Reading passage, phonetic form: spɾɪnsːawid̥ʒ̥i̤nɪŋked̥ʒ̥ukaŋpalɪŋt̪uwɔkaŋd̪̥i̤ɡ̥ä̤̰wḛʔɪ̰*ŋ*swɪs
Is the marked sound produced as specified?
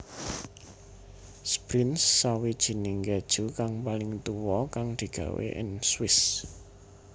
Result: no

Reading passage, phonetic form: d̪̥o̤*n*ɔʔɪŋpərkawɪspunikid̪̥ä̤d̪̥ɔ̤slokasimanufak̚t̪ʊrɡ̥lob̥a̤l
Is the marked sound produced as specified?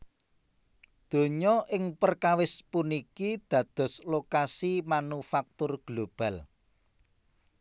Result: no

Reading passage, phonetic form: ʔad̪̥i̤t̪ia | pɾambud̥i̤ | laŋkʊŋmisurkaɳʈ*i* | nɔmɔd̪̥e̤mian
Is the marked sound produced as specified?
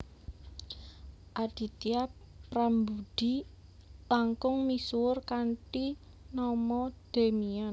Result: yes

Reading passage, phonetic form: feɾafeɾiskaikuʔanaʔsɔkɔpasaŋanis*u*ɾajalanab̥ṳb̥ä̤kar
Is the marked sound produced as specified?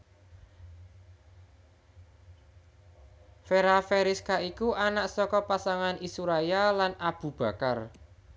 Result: yes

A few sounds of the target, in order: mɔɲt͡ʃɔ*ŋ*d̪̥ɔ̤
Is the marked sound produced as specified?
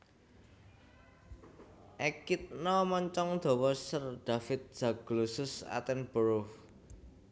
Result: yes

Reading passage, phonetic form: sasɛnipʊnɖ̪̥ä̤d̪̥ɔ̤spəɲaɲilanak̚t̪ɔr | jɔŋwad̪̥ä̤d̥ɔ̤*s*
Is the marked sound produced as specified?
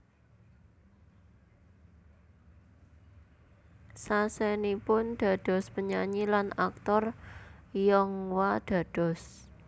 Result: yes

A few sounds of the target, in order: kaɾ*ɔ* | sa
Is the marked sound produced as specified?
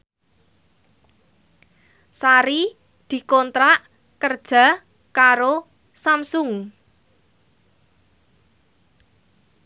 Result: no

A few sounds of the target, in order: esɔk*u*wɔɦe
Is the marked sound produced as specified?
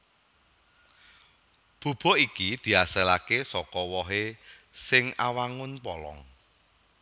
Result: no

